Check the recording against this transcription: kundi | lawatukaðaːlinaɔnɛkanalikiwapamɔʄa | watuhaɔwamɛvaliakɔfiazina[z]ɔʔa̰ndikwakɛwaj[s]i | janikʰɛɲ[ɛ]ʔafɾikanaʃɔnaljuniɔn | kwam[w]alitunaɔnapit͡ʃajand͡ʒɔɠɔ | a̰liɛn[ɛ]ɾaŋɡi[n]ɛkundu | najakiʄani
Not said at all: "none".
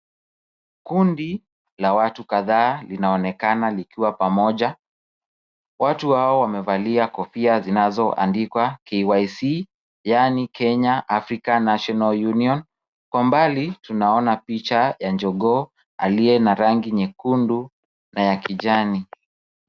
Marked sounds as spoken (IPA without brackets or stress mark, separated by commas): z, s, a, b, a, ɲ